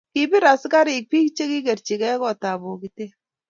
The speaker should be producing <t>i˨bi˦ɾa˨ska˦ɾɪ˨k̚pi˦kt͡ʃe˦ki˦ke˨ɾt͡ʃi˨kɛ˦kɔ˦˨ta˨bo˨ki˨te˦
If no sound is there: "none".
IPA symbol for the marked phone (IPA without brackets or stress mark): k